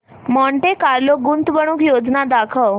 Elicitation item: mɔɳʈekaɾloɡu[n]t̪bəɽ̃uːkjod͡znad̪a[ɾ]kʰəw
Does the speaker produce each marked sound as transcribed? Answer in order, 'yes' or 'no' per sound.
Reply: yes, no

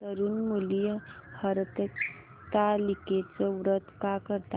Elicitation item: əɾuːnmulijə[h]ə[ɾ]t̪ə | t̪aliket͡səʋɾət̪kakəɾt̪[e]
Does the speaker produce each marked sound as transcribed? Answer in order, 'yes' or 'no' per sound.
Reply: yes, yes, no

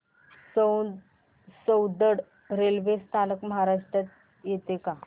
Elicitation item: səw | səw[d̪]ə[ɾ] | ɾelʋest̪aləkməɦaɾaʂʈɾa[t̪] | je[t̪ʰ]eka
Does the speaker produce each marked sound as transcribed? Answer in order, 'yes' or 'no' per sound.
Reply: yes, no, yes, no

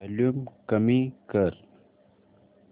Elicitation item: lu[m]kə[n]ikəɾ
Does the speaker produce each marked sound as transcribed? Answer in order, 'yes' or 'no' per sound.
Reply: yes, no

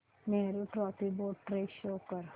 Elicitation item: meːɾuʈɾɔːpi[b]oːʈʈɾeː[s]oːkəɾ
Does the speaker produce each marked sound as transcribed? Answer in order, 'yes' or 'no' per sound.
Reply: yes, no

